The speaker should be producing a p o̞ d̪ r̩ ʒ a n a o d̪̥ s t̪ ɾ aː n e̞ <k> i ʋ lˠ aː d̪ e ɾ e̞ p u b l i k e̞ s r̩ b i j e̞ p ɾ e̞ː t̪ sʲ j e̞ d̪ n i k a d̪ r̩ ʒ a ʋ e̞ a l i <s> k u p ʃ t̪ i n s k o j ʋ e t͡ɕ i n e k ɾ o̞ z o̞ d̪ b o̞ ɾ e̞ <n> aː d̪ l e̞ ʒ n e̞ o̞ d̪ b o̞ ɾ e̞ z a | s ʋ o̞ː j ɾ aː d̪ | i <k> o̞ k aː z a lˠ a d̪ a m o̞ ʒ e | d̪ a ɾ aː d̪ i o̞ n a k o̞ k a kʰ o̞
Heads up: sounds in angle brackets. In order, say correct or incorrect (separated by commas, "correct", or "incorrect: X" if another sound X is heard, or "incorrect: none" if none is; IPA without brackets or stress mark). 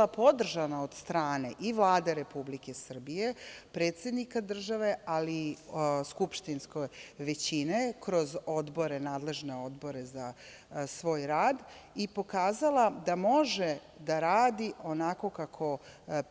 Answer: incorrect: ʔ, correct, correct, incorrect: p